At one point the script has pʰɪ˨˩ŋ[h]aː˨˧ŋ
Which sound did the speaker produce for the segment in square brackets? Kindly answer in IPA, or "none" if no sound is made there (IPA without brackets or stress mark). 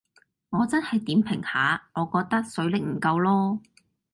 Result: h